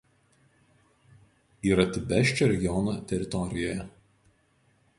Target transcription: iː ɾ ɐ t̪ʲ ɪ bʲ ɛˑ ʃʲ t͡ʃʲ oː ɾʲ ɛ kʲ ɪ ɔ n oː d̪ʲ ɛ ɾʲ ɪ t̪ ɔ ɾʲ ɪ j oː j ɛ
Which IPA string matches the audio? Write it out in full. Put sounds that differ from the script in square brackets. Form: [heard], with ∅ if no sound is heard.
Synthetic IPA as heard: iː ɾ ɐ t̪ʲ ɪ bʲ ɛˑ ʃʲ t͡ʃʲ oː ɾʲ ɛ [ɡʲ] ɪ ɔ n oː [t̪ʲ] ɛ ɾʲ ɪ t̪ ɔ ɾʲ ɪ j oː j ɛ